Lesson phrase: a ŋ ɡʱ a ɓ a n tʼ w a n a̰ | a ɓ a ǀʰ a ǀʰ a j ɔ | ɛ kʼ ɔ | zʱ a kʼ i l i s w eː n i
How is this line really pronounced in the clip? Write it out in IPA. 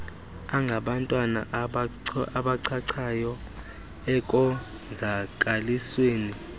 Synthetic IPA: a ŋ ɡʱ a ɓ a n tʼ w a n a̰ | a ɓ a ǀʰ a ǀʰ a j ɔ | ɛ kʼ ɔ | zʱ a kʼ a l i s w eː n i